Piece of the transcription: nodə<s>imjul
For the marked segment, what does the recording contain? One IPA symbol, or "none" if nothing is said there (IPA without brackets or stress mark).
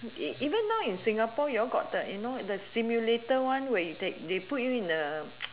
s